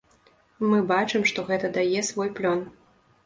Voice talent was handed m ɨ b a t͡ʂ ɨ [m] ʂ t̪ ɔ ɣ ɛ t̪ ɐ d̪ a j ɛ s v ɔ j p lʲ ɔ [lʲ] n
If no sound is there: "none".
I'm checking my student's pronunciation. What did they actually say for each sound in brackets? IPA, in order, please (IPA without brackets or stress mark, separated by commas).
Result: m, none